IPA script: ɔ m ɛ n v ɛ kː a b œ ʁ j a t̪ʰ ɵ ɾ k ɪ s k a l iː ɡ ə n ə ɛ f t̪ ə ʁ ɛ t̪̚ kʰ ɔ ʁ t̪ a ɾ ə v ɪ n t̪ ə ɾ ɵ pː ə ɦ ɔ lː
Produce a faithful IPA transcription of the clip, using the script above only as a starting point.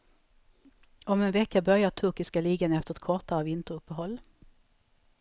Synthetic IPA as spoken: ɔ m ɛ n v ɛ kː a b œ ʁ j a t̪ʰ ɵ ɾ k ɪ s k a l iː ɡ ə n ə ɛ f t̪ ə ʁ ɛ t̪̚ kʰ ɔ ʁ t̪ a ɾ ə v ɪ n t̪ ə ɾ ɵ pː ə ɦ ɔ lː